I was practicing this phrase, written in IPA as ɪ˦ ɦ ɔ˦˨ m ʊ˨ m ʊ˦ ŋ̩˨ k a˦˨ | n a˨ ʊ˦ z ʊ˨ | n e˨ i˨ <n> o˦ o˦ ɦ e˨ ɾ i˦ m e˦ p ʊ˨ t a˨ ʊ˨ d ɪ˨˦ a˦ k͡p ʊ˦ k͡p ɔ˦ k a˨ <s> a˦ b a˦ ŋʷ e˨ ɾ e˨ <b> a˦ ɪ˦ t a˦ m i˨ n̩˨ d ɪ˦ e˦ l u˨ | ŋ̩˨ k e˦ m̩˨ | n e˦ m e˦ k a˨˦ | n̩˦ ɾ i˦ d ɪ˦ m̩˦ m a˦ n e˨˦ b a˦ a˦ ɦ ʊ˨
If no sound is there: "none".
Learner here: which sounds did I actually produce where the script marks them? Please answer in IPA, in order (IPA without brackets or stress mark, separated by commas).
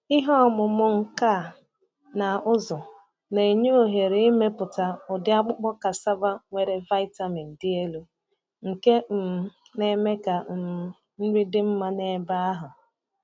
ɲ, s, v